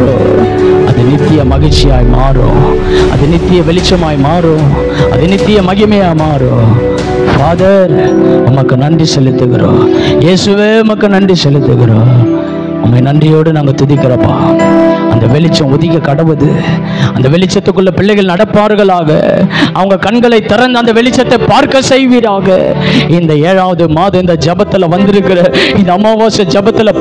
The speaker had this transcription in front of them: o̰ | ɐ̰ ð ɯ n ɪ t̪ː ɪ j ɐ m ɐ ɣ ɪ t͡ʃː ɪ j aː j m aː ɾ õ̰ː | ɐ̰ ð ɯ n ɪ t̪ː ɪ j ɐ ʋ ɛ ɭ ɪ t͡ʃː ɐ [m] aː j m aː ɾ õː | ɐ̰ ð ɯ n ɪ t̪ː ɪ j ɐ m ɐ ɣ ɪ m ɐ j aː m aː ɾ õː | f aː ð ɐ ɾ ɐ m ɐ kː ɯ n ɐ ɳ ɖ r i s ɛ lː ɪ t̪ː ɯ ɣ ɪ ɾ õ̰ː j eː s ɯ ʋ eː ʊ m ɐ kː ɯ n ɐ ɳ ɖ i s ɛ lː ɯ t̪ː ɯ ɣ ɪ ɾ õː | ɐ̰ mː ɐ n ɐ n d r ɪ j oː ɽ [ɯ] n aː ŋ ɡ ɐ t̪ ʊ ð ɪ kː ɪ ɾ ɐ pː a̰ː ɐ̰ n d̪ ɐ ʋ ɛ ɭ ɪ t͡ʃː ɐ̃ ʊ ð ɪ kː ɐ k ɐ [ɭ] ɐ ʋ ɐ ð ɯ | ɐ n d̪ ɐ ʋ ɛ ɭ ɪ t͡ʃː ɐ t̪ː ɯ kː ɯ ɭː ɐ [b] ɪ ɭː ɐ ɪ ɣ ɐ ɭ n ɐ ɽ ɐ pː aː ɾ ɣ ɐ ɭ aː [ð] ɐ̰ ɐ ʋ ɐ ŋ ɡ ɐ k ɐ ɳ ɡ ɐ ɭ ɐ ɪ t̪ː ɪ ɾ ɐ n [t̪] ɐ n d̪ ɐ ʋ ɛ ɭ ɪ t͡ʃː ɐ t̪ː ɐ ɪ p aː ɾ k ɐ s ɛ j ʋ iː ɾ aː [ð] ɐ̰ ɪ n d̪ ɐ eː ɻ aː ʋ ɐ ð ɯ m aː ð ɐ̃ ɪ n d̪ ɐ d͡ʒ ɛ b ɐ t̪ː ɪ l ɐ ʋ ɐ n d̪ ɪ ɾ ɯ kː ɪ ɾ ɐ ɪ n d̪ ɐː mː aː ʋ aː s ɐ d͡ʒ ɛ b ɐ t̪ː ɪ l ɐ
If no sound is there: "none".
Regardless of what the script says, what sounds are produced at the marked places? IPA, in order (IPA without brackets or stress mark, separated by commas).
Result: m, ɯ, ɽ, p, ɣ, d̪, ɣ